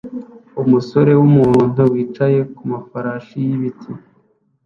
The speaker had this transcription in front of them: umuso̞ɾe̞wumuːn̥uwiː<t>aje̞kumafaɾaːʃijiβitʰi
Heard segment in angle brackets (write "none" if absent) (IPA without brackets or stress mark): t͡ʃ